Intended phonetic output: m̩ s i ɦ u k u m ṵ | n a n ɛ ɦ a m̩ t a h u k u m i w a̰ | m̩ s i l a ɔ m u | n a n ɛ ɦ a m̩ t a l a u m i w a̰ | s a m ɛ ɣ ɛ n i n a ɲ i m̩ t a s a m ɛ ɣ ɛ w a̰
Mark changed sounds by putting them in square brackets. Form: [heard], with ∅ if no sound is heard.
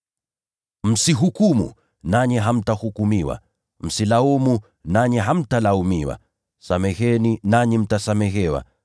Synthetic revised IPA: m̩ s i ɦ u k u m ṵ | n a [ɲ] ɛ ɦ a m̩ t a h u k u m i w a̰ | m̩ s i l a [u] m u | n a [ɲ] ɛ ɦ a m̩ t a l a u m i w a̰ | s a m ɛ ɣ ɛ n i n a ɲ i m̩ t a s a m ɛ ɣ ɛ w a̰